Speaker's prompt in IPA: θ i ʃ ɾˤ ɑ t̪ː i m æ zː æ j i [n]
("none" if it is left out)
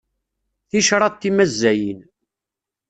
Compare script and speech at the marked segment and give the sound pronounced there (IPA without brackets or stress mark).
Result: n